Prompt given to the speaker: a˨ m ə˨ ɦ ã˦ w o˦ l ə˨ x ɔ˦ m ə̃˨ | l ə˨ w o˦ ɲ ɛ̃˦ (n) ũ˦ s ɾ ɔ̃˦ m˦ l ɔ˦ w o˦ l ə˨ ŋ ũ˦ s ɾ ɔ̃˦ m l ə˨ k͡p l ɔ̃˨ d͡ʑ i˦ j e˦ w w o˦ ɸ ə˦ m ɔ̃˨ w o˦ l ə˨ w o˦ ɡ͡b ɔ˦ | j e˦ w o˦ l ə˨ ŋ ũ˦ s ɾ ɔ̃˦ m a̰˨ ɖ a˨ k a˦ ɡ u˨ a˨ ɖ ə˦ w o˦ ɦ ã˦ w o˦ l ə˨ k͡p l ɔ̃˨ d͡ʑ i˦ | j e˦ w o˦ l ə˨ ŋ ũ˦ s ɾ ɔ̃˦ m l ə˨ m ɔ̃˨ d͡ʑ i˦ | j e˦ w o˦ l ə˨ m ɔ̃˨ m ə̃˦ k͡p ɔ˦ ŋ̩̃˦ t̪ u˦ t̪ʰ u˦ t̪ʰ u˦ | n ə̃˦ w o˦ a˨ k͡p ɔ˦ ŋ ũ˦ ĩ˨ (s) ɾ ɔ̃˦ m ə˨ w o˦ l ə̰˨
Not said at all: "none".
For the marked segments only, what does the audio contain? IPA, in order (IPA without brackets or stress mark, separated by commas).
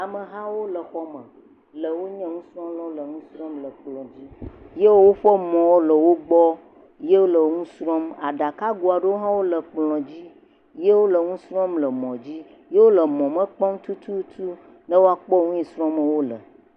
ŋ, s